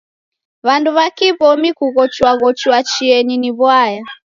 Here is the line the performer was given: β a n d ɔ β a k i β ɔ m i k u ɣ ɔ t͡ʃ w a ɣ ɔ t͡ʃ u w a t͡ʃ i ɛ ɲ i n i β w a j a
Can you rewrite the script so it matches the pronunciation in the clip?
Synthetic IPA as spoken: β a n d u β a k i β ɔ m i k u ɣ ɔ t͡ʃ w a ɣ ɔ t͡ʃ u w a t͡ʃ i ɛ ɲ i n i β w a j a